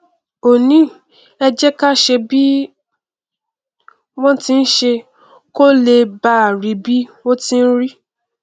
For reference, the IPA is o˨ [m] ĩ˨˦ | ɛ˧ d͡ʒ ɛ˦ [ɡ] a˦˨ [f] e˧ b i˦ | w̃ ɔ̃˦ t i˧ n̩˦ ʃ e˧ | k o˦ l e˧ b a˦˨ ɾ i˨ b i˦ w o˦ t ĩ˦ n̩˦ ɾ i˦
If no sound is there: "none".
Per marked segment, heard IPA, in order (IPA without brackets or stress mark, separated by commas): n, k, ʃ